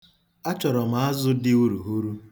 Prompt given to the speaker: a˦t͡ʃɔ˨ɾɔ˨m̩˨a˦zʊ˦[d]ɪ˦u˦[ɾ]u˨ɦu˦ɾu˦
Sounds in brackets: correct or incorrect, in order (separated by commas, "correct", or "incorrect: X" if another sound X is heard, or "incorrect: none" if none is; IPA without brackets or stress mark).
correct, correct